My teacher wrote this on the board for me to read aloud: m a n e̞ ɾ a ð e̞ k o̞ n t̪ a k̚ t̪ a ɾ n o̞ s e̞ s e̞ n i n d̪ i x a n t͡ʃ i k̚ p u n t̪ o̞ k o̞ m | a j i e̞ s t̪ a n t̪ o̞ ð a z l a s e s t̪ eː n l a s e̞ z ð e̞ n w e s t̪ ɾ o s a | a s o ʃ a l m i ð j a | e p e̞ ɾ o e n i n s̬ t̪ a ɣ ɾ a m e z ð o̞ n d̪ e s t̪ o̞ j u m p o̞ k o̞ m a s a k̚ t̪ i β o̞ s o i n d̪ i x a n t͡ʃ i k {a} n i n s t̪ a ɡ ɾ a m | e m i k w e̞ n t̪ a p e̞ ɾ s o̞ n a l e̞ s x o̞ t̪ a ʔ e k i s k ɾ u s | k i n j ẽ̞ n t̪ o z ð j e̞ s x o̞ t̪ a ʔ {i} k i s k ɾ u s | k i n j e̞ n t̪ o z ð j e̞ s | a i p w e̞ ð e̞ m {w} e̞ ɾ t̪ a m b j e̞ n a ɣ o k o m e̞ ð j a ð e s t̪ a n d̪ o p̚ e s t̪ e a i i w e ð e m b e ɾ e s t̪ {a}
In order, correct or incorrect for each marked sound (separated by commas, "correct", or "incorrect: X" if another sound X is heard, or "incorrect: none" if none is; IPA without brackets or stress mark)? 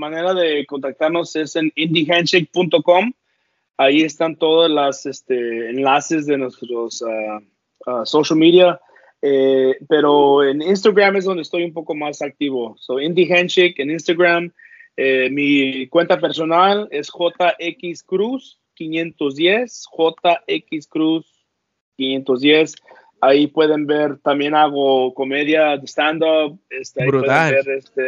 incorrect: e, incorrect: e, incorrect: b, incorrect: e